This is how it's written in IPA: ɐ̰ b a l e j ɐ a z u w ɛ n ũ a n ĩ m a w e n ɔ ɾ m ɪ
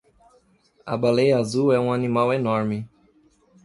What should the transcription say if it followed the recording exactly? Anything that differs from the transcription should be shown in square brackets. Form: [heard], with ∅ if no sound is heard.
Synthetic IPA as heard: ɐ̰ b a l e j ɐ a z u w ɛ [∅] ũ a n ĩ m a w e n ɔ ɾ m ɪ